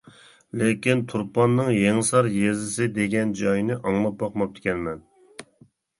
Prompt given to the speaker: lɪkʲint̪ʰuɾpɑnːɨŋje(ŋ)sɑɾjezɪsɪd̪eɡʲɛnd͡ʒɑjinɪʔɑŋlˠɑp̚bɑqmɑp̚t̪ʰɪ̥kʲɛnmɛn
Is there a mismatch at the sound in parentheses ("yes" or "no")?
no